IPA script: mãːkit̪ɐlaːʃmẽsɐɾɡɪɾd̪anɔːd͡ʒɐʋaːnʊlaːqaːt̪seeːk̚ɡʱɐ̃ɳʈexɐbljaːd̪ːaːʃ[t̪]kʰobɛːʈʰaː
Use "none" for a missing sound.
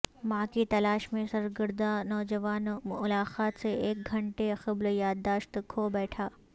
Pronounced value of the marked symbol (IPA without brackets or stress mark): t̪